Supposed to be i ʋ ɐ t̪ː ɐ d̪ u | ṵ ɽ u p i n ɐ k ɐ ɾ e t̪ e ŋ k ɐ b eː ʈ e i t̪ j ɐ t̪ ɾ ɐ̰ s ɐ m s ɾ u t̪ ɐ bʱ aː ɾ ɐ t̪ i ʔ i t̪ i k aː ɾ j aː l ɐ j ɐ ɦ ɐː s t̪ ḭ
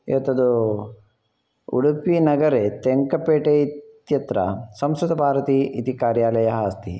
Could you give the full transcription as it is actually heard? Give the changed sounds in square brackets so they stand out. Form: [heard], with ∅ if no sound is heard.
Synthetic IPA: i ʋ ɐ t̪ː ɐ d̪ u | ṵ ɽ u p i n ɐ [ɡ] ɐ ɾ e t̪ e ŋ k ɐ [p] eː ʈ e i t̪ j ɐ t̪ ɾ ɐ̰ s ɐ m s ɾ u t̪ ɐ bʱ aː ɾ ɐ t̪ i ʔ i t̪ i k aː ɾ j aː l ɐ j ɐ ɦ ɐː s t̪ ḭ